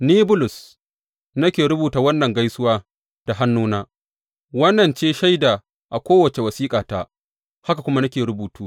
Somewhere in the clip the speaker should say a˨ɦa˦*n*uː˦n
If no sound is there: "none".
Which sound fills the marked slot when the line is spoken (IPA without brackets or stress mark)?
nː